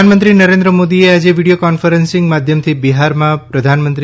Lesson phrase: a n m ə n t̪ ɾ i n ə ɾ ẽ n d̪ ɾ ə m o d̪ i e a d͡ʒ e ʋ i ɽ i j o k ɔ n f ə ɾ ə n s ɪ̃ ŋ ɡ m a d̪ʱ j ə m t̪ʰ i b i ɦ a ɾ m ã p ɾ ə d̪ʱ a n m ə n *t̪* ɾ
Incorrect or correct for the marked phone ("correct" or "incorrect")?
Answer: correct